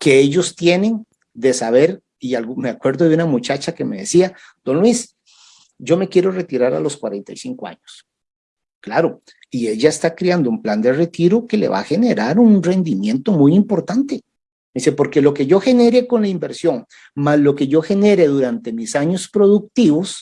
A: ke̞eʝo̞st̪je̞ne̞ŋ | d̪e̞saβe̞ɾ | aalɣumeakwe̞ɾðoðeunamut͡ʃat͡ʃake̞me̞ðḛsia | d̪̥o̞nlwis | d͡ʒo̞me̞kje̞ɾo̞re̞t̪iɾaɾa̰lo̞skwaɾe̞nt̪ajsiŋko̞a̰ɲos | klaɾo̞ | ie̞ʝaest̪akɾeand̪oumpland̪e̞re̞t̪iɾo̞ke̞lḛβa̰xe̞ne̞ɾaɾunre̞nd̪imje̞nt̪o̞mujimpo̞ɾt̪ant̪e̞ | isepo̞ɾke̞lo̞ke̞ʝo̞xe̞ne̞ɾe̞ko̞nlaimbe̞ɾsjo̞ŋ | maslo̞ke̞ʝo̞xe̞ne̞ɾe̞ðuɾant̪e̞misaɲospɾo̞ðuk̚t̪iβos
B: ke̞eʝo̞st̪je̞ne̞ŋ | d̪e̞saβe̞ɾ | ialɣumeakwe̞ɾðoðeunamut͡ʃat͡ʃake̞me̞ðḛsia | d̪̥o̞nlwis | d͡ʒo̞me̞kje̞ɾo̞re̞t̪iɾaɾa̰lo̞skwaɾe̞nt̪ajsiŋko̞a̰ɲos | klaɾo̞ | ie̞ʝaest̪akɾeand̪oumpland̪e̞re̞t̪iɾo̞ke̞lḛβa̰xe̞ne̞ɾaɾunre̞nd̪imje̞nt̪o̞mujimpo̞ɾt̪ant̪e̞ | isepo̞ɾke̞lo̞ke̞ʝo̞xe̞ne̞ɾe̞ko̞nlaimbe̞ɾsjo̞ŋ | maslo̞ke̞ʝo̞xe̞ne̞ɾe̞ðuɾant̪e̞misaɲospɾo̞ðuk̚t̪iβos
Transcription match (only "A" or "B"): B